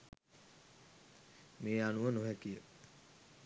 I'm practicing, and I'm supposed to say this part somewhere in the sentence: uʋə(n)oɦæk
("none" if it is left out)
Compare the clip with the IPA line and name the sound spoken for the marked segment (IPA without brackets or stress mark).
n